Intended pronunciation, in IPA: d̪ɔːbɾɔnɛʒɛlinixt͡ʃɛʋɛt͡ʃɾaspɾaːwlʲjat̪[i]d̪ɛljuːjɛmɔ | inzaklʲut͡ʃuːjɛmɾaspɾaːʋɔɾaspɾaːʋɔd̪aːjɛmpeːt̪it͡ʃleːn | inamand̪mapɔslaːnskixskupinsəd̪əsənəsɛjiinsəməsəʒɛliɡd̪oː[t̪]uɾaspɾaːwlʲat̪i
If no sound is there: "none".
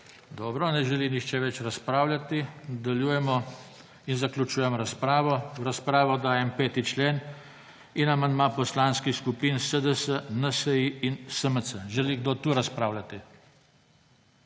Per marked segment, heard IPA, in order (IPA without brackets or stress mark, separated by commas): i, t̪